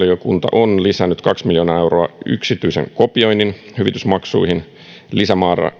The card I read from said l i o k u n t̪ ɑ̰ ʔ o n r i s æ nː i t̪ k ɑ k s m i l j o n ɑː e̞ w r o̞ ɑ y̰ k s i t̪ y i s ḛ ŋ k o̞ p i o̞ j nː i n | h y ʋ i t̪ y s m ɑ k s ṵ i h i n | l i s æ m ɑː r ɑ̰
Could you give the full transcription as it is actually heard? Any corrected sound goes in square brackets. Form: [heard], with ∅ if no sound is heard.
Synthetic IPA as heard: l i o k u n t̪ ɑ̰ ʔ o n [l] i s æ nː [y] t̪ k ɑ k s m i l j o n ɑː e̞ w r o̞ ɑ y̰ k s i t̪ y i s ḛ ŋ k o̞ p i o̞ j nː i n | h y ʋ i t̪ y s m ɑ k s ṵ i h i n | l i s æ m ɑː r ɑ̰